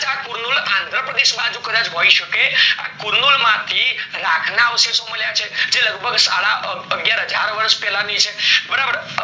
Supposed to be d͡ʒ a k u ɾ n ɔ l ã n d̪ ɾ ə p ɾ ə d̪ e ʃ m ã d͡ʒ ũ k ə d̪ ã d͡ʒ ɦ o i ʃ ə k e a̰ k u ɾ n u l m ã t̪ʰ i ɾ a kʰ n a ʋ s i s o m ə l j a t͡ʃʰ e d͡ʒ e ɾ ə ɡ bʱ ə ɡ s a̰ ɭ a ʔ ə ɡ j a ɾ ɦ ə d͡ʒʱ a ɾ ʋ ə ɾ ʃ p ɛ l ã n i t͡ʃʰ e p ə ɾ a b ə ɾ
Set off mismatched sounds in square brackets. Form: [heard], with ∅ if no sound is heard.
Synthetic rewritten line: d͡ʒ a k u ɾ n [u] l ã n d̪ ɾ ə p ɾ ə d̪ e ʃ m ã d͡ʒ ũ k ə d̪ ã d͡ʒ ɦ o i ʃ ə k e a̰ k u ɾ n u l m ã t̪ʰ i ɾ a kʰ n a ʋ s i s o m ə l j a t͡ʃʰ e d͡ʒ e [l] ə ɡ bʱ ə ɡ s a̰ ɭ a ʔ ə ɡ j a ɾ ɦ ə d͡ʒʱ a ɾ ʋ ə ɾ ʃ p ɛ l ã n i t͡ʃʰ e [b] ə ɾ a b ə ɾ